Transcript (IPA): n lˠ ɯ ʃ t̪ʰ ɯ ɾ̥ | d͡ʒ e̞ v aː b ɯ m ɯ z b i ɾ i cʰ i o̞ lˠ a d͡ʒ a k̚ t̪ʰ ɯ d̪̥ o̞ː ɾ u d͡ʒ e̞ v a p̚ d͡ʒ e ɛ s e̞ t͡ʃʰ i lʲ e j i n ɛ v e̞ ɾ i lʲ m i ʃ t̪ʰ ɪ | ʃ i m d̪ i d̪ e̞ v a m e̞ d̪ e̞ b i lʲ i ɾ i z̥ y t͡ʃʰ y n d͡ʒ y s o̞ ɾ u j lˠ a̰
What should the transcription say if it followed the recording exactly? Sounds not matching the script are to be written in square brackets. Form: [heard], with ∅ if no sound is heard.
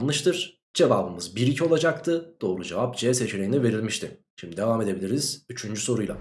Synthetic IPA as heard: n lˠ ɯ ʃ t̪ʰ ɯ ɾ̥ | d͡ʒ e̞ v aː b ɯ m ɯ z b i ɾ i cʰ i o̞ lˠ a d͡ʒ a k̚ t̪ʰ ɯ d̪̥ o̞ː ɾ u d͡ʒ e̞ v a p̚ d͡ʒ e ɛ s e̞ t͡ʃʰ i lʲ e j i n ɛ v e̞ ɾ i lʲ m i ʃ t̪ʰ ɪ | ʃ i m d̪ i d̪ e̞ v a m e̞ d̪ e̞ b i lʲ i ɾ i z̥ y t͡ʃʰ y n d͡ʒ y s o̞ ɾ u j lˠ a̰